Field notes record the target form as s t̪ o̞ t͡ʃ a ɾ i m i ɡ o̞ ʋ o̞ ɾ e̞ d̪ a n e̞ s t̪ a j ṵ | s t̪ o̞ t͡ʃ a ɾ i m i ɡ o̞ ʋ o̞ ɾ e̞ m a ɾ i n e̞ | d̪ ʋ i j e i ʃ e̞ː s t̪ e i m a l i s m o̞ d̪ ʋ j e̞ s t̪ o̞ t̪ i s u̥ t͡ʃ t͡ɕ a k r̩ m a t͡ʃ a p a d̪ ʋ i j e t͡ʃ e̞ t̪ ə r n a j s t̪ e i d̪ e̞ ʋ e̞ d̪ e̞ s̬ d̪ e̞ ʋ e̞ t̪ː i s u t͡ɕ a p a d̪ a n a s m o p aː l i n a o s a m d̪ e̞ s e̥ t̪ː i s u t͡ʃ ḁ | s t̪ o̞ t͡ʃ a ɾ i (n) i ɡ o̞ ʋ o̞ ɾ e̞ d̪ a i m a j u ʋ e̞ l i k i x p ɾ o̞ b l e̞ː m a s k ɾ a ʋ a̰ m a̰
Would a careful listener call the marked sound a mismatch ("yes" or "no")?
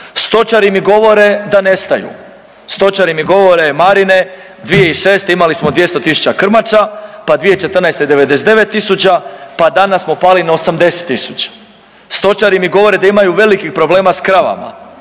yes